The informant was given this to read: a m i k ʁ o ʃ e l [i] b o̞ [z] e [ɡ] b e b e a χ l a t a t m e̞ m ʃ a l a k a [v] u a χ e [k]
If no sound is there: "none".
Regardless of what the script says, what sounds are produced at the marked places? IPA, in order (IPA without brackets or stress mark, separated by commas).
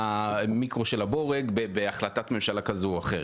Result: a, ʁ, ɡ, z, none